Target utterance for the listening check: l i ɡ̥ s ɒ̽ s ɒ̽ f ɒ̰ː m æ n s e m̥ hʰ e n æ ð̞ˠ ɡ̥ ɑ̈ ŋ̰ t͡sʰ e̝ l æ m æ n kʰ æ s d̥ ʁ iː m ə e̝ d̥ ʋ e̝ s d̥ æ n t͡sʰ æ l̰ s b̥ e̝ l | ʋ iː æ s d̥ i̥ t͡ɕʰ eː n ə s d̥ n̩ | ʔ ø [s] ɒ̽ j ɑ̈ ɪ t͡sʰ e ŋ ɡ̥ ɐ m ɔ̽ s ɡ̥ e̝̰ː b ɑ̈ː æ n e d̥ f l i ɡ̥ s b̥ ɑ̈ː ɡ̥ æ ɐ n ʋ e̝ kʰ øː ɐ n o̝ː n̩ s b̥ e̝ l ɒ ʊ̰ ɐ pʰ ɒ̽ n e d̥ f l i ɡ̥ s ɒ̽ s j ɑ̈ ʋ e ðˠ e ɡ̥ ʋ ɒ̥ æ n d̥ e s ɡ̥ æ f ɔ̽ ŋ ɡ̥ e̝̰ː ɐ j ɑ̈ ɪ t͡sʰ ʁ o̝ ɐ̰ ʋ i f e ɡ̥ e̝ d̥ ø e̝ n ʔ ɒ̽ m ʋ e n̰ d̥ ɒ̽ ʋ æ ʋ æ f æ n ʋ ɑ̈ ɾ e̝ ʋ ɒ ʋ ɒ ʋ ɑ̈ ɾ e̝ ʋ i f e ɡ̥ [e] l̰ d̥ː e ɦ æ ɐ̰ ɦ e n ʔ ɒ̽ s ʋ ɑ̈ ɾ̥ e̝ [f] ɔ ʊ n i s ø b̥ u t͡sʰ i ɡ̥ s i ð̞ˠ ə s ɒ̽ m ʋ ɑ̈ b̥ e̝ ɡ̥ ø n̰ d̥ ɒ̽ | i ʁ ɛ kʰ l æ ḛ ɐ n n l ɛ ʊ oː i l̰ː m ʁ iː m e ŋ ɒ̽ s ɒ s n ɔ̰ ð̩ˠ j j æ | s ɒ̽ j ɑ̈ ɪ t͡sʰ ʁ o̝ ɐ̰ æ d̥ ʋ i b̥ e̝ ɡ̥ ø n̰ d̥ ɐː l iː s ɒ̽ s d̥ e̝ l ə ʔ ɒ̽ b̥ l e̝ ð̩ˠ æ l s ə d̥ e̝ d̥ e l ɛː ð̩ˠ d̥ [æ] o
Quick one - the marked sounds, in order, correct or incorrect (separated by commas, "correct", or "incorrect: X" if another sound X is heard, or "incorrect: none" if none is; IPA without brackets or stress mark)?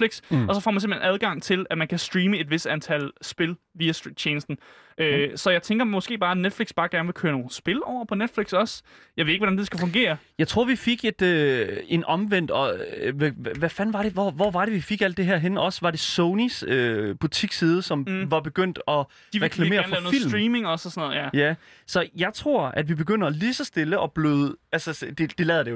correct, incorrect: æ, incorrect: s, incorrect: e